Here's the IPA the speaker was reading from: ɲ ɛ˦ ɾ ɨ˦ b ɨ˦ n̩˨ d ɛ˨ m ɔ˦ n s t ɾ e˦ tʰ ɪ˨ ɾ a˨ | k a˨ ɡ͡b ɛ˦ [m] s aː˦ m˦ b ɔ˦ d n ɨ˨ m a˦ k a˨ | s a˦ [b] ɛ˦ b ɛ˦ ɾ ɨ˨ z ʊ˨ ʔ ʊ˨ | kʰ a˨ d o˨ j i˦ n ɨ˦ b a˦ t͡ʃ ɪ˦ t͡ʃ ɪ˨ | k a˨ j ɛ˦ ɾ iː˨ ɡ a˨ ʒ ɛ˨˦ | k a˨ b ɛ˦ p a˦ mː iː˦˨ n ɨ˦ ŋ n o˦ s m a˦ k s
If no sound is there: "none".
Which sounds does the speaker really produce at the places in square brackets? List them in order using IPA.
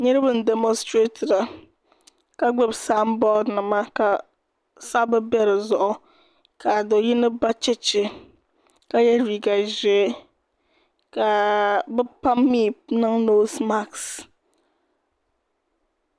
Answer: b, b

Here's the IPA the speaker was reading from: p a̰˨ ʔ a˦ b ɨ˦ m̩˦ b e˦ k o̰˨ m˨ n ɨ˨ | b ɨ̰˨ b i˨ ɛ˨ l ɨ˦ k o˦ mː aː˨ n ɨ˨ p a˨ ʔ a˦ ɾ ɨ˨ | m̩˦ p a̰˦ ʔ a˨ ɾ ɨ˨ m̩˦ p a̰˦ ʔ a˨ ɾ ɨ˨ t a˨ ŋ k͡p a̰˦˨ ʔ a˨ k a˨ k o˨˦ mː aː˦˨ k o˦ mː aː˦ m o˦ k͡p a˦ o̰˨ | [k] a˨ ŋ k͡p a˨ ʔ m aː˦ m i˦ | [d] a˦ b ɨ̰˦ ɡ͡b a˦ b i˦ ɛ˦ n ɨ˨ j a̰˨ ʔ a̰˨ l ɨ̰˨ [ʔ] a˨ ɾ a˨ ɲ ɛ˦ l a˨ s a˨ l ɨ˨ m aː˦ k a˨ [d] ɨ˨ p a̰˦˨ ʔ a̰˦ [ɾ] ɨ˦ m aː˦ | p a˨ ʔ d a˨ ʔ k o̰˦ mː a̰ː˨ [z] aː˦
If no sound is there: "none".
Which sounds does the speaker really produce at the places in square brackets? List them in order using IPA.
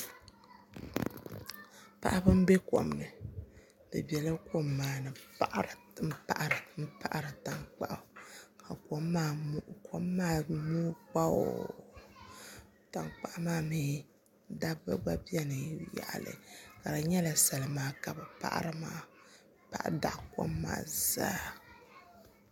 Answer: t, d, k, b, ɾ, z

